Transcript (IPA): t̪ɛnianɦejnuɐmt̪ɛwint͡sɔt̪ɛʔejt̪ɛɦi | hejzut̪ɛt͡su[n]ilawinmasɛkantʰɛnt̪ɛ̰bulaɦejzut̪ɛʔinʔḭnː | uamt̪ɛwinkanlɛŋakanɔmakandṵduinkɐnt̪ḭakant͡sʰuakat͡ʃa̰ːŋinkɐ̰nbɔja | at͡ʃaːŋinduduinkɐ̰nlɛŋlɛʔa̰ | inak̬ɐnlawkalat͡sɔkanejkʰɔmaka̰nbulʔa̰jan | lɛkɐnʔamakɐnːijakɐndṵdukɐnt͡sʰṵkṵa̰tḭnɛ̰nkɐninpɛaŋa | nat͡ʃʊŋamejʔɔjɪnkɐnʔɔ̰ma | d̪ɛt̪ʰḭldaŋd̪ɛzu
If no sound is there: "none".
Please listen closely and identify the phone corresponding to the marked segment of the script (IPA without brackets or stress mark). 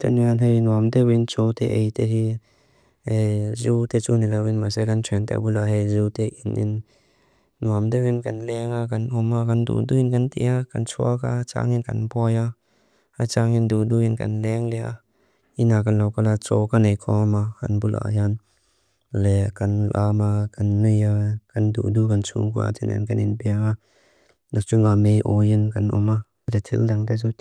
n